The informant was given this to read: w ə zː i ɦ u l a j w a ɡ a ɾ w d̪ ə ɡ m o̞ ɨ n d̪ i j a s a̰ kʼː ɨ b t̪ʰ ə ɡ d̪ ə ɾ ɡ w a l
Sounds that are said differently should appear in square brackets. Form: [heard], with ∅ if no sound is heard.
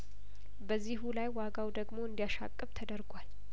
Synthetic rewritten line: [b] ə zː i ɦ u l a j w a ɡ a [∅] w d̪ ə ɡ m o̞ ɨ n d̪ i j a [ʃ] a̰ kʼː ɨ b t̪ʰ ə [∅] d̪ ə ɾ ɡ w a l